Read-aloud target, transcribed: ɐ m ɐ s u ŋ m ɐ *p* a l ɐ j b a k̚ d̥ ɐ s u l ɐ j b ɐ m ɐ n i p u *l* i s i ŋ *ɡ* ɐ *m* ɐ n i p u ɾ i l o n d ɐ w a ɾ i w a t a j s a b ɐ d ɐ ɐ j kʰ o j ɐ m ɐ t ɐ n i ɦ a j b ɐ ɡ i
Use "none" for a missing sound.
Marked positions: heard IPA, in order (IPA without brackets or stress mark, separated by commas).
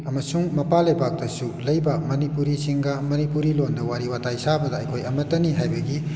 p, ɾ, ɡ, m